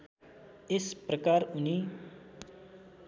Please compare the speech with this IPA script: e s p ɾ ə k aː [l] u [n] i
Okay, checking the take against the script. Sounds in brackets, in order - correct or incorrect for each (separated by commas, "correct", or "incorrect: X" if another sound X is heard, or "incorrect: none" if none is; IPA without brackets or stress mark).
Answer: incorrect: ɾ, correct